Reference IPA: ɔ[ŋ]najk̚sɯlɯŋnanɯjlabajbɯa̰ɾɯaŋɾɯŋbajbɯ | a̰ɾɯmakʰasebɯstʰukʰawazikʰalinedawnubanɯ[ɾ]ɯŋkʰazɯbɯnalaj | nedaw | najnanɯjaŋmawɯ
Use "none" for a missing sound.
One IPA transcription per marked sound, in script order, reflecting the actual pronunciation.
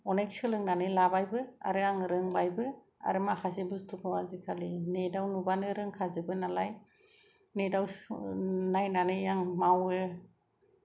none, ɾ

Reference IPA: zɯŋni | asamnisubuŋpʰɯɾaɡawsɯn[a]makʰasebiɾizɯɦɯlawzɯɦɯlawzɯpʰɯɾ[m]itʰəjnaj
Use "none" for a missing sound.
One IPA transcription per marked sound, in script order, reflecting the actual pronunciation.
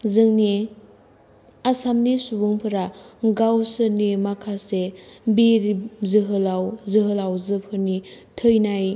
i, n

